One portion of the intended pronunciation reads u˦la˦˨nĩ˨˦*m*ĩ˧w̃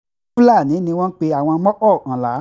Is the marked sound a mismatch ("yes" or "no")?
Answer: yes